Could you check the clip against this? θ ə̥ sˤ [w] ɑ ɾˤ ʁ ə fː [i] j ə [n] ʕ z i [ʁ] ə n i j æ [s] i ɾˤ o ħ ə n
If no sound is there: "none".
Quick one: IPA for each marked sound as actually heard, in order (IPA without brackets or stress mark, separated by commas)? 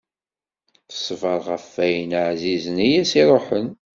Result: v, æ, n, z, s